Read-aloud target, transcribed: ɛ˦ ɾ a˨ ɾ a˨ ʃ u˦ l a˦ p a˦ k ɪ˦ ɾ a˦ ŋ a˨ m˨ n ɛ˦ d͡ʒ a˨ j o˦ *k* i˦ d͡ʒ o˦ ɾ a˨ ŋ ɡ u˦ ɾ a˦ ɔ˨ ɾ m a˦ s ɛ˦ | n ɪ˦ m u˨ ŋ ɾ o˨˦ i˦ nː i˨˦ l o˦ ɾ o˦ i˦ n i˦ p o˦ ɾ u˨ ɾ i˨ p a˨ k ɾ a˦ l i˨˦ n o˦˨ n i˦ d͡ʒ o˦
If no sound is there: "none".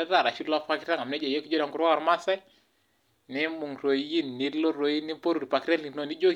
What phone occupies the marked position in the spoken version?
k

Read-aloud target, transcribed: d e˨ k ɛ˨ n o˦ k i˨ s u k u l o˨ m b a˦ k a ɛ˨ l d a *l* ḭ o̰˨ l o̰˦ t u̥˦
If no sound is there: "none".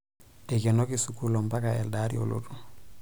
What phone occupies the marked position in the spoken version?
ɾ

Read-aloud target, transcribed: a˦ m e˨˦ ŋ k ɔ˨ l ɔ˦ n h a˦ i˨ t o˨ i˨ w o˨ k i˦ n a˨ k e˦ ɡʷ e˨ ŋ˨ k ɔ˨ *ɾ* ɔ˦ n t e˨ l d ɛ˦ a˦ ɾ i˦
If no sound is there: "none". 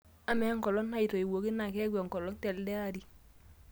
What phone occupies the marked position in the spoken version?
l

